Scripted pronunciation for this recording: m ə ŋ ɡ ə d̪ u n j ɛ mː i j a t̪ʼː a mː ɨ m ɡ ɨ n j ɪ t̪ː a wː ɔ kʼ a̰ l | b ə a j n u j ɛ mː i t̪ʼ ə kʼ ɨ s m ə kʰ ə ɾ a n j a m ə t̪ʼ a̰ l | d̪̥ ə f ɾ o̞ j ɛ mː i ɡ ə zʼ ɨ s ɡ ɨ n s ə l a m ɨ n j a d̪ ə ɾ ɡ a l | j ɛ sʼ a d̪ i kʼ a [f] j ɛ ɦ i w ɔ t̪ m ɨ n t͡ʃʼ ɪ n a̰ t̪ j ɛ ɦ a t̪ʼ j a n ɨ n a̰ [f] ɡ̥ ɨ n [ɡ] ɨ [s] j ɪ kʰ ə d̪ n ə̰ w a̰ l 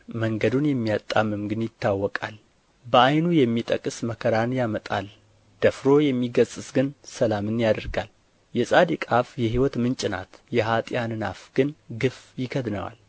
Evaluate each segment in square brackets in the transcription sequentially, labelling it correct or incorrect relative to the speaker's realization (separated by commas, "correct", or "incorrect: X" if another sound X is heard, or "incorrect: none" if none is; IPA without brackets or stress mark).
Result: correct, correct, correct, incorrect: f